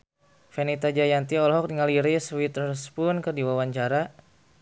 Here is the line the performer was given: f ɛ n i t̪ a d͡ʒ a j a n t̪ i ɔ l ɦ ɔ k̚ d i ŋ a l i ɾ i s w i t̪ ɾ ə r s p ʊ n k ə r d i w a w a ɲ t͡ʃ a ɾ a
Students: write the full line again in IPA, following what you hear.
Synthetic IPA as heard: f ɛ n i t̪ a d͡ʒ a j a n t̪ i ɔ l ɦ ɔ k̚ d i ŋ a l i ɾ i s w i t̪ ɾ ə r s p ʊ n k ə r d i w a w a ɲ t͡ʃ a ɾ a